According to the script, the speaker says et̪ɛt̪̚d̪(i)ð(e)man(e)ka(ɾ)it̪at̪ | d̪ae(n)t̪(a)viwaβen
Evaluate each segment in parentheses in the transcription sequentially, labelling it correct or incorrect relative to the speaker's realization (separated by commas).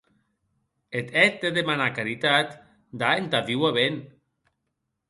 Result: incorrect, correct, incorrect, correct, correct, correct